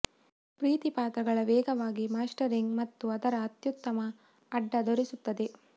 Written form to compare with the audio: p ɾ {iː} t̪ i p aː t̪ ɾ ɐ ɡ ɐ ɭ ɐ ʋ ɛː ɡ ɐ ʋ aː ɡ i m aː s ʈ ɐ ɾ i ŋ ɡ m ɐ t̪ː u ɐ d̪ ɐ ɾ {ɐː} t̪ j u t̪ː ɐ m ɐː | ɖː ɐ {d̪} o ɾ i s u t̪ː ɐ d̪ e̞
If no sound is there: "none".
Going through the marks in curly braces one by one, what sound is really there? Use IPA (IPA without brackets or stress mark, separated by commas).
iː, ɐː, d̪